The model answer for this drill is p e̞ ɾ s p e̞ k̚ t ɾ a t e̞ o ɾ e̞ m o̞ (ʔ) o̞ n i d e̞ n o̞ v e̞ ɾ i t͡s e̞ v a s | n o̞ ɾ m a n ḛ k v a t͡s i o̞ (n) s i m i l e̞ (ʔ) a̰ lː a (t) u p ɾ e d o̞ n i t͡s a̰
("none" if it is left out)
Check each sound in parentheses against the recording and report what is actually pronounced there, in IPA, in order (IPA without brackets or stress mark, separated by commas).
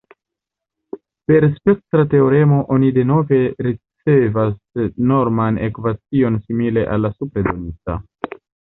ʔ, n, ʔ, s